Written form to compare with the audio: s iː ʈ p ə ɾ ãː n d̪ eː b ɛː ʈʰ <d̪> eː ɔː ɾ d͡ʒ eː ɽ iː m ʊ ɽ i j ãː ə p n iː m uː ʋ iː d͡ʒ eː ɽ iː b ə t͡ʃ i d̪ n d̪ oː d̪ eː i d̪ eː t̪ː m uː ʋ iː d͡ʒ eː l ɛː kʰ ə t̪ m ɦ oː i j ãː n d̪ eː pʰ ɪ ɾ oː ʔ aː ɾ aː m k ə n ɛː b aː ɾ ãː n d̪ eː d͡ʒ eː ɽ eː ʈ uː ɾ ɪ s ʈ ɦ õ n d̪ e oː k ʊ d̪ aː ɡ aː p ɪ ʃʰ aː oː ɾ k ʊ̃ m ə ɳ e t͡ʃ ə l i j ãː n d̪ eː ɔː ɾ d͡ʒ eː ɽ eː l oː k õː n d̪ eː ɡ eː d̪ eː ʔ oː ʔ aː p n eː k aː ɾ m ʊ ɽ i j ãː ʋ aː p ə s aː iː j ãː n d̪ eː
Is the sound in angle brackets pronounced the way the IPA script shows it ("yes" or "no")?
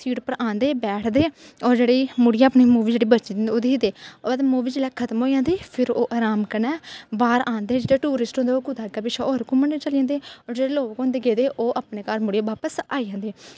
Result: yes